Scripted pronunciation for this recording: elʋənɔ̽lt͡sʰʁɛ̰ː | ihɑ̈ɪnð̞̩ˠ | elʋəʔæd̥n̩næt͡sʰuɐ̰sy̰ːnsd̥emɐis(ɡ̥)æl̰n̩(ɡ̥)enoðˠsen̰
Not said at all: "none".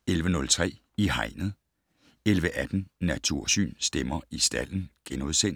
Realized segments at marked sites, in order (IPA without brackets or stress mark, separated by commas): d̥, ɡ̥